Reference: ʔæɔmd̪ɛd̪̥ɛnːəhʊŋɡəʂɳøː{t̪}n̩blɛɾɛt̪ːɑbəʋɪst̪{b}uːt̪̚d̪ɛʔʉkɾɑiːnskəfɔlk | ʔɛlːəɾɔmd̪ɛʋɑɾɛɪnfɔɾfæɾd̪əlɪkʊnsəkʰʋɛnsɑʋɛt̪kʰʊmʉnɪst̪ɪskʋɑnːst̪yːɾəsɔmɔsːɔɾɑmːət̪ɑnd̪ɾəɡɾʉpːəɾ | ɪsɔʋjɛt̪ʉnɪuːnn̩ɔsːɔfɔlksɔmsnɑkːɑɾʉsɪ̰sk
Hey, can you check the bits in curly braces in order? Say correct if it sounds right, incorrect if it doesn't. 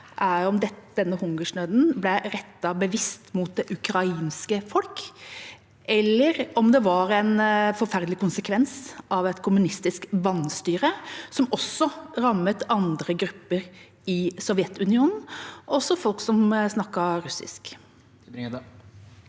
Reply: incorrect, incorrect

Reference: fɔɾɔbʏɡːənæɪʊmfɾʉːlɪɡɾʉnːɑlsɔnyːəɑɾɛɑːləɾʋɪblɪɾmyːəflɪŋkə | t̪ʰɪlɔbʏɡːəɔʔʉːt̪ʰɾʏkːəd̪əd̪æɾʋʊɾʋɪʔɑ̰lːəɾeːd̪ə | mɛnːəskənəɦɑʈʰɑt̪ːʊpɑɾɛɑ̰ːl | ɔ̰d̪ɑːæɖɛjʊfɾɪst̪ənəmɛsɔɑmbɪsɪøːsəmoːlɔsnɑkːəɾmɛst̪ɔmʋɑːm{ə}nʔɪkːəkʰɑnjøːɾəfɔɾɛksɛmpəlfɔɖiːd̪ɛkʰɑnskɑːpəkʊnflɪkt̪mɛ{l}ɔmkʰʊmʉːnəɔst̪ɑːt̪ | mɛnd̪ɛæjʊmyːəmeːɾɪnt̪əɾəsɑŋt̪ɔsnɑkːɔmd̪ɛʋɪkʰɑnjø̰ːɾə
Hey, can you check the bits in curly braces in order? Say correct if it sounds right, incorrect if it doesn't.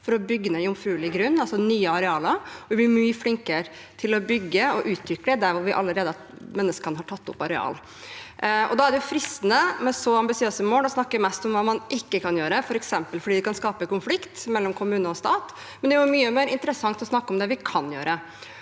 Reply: incorrect, incorrect

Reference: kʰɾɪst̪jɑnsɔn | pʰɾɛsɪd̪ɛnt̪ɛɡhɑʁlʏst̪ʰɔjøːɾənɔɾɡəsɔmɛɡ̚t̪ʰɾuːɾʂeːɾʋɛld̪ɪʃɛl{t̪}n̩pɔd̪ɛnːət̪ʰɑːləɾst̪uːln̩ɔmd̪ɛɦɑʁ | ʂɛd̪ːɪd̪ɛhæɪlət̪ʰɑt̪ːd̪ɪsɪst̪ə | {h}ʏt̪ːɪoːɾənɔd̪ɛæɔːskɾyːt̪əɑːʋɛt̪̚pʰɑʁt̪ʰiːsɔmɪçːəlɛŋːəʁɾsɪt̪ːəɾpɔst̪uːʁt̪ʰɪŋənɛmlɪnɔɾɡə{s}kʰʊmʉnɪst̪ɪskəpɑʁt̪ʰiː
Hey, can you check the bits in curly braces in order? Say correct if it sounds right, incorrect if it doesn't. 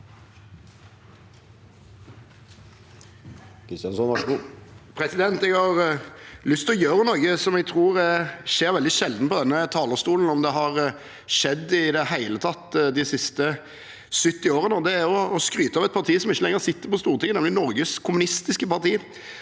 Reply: incorrect, incorrect, correct

